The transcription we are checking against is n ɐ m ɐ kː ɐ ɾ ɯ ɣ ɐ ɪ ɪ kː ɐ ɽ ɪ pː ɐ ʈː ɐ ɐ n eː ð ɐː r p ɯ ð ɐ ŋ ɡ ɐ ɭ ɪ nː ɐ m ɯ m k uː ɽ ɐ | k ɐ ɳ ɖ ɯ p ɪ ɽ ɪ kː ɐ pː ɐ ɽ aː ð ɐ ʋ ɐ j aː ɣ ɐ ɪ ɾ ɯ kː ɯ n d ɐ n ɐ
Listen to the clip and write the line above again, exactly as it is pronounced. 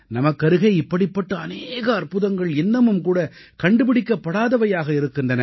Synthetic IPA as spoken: n ɐ m ɐ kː ɐ ɾ ɯ ɣ ɐ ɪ ɪ pː ɐ ɽ ɪ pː ɐ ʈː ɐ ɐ n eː ɣ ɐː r p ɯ ð ɐ ŋ ɡ ɐ ɭ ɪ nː ɐ m ɯ m k uː ɽ ɐ | k ɐ ɳ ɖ ɯ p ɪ ɽ ɪ kː ɐ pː ɐ ɽ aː ð ɐ ʋ ɐ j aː ɣ ɐ ɪ ɾ ɯ kː ɯ n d ɐ n ɐ